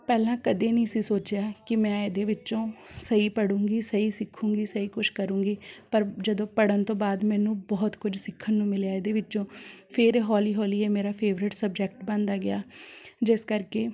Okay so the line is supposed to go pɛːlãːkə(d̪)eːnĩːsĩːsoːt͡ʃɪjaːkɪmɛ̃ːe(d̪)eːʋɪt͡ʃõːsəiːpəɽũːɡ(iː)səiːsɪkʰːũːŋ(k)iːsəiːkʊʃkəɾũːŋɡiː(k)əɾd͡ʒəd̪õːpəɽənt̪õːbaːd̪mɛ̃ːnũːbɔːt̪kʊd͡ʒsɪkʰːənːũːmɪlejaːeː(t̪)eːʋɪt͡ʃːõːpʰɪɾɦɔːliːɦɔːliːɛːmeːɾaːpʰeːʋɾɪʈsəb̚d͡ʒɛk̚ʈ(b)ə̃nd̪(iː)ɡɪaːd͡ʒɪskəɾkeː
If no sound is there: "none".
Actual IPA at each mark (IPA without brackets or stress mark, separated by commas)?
d̪, d̪, iː, ɡ, p, d̪, b, aː